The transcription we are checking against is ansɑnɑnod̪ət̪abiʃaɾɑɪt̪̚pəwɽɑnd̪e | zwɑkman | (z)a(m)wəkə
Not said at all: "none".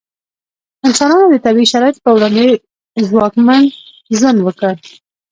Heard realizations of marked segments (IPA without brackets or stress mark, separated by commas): z, n